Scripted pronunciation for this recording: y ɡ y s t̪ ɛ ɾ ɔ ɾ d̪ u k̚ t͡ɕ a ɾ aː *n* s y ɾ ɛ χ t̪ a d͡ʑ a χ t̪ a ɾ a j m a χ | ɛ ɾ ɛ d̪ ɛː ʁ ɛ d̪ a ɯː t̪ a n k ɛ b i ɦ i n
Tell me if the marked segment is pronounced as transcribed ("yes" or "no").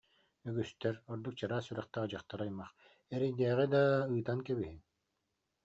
no